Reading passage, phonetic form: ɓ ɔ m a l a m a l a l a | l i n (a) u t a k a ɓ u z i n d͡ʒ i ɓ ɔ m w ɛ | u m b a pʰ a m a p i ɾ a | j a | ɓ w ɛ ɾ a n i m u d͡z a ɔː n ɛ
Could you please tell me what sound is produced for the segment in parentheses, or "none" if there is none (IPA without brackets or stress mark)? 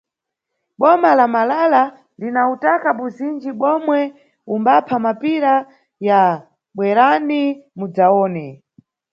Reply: a